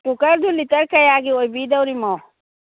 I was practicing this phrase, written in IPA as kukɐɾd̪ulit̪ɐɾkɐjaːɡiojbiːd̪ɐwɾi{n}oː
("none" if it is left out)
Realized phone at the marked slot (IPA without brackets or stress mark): m